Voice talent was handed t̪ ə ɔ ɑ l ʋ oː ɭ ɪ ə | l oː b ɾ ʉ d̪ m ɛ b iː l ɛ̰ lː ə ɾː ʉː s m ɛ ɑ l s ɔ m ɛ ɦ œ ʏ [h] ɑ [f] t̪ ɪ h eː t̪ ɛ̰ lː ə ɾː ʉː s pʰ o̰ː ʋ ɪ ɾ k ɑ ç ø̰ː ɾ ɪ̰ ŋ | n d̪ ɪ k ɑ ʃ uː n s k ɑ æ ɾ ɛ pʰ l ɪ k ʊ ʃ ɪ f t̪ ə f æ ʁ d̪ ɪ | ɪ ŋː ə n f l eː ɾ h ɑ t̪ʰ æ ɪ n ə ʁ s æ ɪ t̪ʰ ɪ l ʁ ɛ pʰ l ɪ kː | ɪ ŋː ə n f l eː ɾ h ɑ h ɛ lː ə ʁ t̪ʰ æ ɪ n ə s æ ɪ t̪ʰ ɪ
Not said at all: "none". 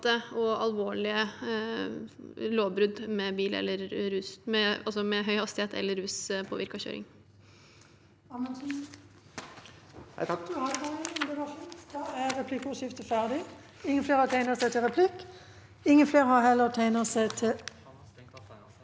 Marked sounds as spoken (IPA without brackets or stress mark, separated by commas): h, s